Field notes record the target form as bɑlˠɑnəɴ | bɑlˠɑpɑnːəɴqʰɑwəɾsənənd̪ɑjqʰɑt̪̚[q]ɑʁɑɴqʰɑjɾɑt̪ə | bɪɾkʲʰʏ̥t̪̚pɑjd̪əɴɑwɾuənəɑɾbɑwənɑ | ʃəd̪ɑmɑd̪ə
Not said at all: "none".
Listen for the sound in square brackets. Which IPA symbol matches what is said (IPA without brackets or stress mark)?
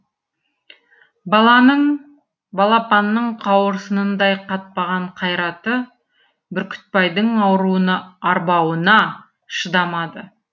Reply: p